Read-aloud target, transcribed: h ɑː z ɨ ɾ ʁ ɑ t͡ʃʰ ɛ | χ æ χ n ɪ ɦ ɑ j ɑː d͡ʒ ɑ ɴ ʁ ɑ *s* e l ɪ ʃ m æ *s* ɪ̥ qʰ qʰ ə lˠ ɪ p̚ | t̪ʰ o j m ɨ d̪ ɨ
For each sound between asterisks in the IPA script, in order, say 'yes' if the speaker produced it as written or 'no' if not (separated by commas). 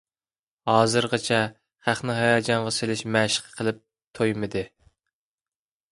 yes, no